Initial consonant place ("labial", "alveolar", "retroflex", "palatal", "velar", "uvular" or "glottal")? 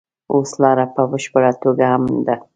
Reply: alveolar